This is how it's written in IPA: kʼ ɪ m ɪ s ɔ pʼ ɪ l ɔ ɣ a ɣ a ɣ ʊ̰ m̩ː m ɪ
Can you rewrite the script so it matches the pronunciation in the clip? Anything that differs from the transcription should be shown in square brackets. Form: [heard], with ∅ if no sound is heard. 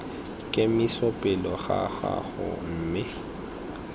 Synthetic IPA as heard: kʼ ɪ m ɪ s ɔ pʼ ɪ l ɔ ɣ a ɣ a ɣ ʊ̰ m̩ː m ɪ

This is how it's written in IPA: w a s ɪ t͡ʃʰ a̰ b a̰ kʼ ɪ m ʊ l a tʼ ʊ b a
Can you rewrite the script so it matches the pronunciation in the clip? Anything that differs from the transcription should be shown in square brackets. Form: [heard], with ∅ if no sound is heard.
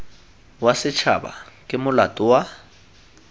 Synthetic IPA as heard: w a s ɪ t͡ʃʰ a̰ b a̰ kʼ ɪ m ʊ l a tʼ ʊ [w] a

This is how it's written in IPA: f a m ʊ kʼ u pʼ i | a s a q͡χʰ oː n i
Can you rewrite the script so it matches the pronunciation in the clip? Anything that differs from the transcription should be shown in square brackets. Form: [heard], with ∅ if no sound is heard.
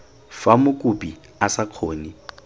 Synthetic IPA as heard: f a m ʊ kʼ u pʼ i | a s a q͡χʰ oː n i

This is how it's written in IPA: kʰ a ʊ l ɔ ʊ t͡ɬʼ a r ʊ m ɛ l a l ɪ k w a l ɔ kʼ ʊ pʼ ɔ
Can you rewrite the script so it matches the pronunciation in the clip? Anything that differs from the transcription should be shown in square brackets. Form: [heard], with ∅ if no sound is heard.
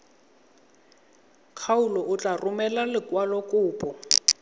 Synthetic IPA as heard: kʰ a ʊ l ɔ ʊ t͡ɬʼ a r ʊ m ɛ l a l ɪ k w a l ɔ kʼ [ʊː] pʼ ɔ

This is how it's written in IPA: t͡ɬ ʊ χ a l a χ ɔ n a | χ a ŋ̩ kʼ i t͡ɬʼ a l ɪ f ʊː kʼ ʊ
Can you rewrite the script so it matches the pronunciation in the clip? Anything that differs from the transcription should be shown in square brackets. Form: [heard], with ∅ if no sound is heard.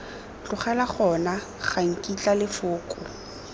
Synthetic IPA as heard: t͡ɬ ʊ χ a l a χ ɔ n a | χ a ŋ̩ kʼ i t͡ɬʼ a l ɪ f ʊː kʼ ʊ

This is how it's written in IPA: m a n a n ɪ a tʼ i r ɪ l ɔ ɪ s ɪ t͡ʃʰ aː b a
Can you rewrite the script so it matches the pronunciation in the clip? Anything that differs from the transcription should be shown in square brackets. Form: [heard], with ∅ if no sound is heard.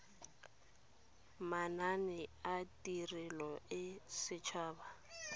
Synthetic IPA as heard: m a n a n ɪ a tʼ i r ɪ l ɔ ɪ s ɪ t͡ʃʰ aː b a

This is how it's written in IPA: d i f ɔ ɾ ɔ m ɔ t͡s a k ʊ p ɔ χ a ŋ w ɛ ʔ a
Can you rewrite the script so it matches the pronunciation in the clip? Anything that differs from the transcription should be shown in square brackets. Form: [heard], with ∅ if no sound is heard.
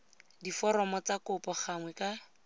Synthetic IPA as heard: d i f ɔ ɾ ɔ m ɔ t͡s a k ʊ p ɔ χ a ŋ w ɛ [k] a

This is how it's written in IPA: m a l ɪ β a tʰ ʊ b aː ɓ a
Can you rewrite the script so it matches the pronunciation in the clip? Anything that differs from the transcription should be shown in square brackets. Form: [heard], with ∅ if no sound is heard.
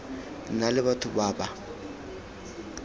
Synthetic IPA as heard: [n] a l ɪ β a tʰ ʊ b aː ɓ a

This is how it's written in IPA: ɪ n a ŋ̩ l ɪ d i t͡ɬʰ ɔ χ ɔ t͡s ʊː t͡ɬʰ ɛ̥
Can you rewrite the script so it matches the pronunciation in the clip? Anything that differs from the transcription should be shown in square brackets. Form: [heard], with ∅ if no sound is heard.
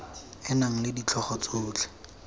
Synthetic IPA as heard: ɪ n a ŋ̩ l ɪ d i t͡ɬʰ ɔ χ ɔ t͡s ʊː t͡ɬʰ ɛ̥

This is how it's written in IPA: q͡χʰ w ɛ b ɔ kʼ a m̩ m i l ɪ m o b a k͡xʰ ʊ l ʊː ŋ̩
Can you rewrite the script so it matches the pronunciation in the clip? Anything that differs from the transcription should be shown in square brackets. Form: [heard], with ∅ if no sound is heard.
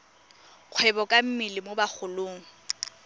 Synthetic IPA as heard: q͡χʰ w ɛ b ɔ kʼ a m̩ m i l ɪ m o b a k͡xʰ ʊ l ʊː ŋ̩

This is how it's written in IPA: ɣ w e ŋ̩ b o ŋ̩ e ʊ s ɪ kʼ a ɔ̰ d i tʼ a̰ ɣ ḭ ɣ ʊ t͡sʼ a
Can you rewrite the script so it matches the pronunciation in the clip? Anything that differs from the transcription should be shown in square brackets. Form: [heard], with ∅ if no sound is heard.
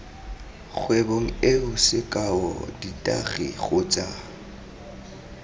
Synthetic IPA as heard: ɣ w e [∅] b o ŋ̩ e ʊ s ɪ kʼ a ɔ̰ d i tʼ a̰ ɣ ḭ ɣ ʊ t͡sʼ a

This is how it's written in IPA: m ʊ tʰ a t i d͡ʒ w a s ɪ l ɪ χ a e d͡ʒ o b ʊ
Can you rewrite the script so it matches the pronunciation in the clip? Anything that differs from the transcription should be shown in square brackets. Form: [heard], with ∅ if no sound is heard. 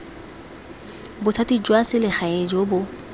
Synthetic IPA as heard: [b] ʊ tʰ a t i d͡ʒ w a s ɪ l ɪ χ a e d͡ʒ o b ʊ

